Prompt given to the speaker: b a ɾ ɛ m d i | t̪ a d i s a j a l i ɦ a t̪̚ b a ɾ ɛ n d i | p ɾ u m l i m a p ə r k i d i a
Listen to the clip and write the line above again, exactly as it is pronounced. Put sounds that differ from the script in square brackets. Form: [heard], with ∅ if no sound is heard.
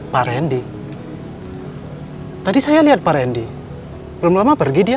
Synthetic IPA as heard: [p] a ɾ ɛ [n] d i | t̪ a d i s a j a l i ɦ a t̪̚ [p] a ɾ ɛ n d i | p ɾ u m l [a] m a p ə r [ɡ] i d i a